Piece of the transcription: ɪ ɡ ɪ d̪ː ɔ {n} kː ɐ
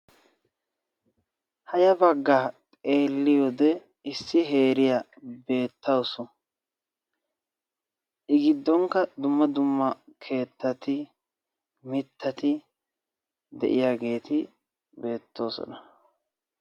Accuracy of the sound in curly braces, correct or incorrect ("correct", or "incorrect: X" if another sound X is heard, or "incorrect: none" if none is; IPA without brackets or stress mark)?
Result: incorrect: ŋ